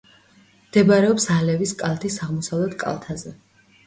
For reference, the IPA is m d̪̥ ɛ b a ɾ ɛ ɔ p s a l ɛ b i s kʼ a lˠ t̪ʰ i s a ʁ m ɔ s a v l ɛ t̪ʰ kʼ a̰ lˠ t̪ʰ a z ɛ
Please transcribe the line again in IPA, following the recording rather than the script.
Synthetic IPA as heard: m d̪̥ ɛ b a ɾ ɛ ɔ p s a l ɛ v i s kʼ a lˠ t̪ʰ i s a ʁ m ɔ s a v l ɛ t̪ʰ kʼ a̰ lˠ t̪ʰ a z ɛ